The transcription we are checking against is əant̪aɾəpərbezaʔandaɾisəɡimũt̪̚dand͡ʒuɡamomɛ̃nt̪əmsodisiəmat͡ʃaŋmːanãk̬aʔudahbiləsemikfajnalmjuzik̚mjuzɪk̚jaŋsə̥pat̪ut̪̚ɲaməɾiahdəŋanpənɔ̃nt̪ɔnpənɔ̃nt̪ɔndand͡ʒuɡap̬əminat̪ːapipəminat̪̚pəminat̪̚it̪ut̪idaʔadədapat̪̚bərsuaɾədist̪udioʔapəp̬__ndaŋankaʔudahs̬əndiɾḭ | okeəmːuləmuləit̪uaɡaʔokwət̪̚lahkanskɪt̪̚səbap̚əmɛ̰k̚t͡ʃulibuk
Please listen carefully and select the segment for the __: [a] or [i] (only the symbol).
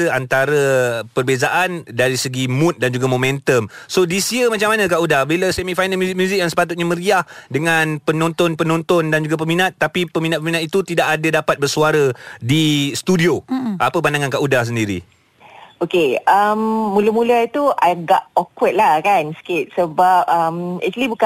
a